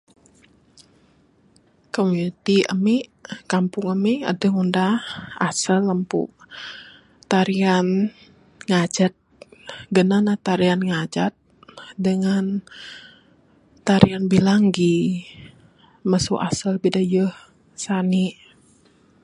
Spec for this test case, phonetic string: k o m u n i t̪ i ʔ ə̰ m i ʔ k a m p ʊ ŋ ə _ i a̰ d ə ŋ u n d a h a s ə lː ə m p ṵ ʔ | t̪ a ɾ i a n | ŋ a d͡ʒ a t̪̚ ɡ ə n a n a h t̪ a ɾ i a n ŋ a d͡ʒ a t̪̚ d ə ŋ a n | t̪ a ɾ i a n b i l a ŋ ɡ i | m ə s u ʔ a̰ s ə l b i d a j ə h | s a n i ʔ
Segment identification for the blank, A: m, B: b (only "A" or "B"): A